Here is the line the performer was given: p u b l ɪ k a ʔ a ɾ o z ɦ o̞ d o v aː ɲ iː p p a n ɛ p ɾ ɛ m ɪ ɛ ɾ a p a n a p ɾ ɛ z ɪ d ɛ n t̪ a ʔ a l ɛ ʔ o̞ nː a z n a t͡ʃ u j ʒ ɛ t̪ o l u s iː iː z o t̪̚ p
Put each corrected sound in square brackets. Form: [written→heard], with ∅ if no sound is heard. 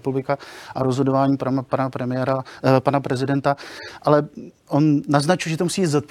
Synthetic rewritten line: p u b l ɪ k a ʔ a ɾ o z ɦ o̞ d o v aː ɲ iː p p a n [ɛ→a] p ɾ ɛ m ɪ ɛ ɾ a p a n a p ɾ ɛ z ɪ d ɛ n t̪ a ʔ a l ɛ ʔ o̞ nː a z n a t͡ʃ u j ʒ ɛ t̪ o [l→∅] u s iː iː z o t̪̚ p